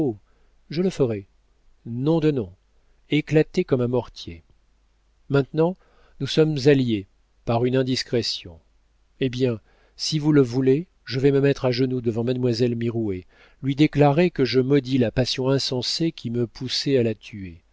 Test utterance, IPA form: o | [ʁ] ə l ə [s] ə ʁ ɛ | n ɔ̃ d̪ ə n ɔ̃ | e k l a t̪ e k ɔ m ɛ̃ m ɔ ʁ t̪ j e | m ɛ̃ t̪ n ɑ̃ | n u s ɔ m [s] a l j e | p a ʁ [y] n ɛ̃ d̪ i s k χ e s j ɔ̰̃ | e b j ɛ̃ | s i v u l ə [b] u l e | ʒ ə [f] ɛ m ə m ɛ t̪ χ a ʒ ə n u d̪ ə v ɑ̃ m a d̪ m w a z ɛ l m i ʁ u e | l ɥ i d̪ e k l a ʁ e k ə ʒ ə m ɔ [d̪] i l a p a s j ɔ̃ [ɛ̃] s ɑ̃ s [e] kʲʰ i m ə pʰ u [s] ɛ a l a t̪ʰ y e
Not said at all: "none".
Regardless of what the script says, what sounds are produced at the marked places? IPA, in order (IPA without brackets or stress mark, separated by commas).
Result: ʒ, f, z, y, v, v, d̪, ɛ̃, e, s